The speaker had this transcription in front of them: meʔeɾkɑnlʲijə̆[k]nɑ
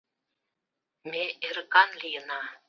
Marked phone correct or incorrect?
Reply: incorrect